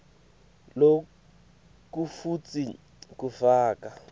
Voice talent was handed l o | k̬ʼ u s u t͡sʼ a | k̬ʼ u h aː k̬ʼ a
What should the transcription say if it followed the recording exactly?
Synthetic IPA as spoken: l o | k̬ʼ u f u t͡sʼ i | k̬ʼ u f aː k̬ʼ a